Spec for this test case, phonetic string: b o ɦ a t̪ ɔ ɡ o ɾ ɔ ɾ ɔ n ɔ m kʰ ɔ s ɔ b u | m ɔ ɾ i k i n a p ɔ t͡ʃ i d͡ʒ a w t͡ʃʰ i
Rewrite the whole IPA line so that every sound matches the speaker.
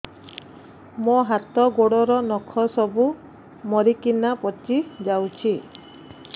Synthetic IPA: m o ɦ a t̪ ɔ ɡ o ɽ ɔ ɾ ɔ n ɔ kʰ ɔ s ɔ b u | m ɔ ɾ i k i n a p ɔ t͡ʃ i d͡ʒ a w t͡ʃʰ i